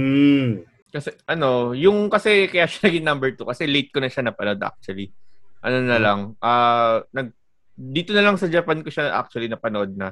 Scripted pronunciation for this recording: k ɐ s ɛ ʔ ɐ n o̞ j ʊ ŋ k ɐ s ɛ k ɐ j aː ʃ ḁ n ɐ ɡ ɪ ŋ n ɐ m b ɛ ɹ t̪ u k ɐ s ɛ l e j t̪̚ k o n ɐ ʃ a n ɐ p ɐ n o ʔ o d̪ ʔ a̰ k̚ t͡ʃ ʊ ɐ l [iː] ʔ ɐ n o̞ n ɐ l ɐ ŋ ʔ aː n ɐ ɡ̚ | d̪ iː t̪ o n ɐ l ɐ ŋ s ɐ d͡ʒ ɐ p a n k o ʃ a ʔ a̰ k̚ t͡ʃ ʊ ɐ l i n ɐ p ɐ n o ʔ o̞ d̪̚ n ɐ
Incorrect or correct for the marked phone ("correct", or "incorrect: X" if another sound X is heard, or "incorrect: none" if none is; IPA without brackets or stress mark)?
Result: incorrect: i